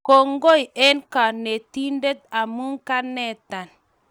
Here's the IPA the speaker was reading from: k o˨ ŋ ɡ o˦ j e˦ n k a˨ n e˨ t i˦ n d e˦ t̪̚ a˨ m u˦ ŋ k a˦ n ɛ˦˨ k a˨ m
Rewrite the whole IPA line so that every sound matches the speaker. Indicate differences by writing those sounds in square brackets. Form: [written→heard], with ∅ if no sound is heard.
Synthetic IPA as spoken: k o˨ ŋ ɡ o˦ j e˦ n k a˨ n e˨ t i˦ n d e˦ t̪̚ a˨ m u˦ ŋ k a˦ n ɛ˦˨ [k→t] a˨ [m→n]

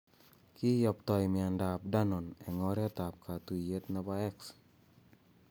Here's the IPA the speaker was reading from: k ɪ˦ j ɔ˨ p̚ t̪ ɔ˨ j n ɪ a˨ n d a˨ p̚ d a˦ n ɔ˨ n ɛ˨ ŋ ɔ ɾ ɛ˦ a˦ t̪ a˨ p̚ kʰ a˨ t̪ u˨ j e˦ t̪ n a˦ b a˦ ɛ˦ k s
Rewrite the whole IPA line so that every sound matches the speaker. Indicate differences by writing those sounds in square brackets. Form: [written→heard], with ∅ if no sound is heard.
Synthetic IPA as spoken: k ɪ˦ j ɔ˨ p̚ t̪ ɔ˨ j [n→m] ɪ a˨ n d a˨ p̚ d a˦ n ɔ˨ n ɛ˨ ŋ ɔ ɾ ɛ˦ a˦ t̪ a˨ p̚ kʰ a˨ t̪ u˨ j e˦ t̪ n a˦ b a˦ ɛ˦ k s

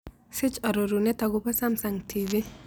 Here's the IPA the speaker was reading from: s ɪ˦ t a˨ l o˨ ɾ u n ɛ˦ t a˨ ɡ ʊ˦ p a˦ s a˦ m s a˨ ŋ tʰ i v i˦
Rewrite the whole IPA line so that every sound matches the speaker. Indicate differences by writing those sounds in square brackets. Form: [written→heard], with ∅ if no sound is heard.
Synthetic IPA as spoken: s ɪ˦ [t→t͡ʃ] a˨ [l→ɾ] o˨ ɾ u n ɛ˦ t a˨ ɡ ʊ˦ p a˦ s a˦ m s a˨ ŋ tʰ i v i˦

